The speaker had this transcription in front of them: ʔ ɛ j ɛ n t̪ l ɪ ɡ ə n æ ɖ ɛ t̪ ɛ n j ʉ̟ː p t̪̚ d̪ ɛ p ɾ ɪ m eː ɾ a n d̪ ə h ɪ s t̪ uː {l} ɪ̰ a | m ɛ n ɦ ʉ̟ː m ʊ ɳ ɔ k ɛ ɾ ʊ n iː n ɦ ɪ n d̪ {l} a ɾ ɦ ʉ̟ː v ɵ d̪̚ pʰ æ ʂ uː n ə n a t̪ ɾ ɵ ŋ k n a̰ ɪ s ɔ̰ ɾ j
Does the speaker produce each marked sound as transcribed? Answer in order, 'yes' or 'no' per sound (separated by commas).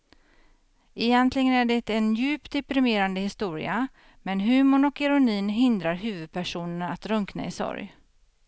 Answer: no, no